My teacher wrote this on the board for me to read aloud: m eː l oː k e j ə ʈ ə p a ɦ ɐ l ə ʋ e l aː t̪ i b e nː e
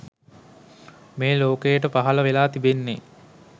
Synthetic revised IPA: m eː l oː k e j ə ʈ ə p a ɦ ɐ l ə ʋ e l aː t̪ i b e nː e